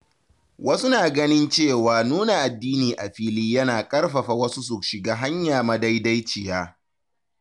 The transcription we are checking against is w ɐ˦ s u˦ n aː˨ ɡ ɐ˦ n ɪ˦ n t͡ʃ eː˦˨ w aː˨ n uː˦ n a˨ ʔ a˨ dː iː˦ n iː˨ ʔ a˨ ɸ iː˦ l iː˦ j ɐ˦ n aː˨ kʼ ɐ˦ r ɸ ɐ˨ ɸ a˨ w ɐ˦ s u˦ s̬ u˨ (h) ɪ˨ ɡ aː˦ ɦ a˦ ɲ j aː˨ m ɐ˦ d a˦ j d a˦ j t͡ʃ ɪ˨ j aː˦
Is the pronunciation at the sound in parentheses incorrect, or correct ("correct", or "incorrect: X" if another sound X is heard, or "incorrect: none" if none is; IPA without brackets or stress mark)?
incorrect: ʃ